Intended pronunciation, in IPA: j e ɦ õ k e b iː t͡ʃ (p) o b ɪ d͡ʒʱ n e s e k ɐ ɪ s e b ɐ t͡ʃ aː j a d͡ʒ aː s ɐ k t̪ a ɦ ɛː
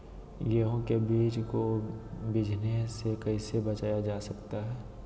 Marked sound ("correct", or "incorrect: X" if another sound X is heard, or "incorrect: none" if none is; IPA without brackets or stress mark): incorrect: k